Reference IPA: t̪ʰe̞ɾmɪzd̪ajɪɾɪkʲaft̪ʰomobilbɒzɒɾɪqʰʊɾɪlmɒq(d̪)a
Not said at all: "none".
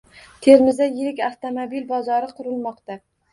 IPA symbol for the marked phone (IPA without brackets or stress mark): t̪